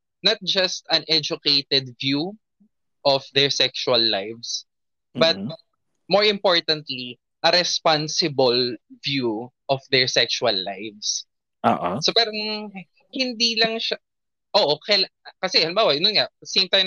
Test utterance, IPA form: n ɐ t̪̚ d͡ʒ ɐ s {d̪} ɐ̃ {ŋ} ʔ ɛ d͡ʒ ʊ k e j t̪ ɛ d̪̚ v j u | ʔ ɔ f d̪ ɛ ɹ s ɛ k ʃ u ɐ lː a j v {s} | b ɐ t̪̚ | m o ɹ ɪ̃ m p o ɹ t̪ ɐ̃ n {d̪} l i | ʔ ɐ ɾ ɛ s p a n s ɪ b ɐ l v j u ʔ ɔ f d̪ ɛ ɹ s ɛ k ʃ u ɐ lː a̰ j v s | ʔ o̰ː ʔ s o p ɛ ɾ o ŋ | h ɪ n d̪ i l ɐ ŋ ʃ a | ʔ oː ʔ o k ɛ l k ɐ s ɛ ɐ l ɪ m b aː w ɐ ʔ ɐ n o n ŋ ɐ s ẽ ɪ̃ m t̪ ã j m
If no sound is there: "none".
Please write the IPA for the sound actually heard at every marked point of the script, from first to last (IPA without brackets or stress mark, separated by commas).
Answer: t̪, n, s, t̪